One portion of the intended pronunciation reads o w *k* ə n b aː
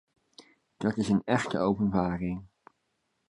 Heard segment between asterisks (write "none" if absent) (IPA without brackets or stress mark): p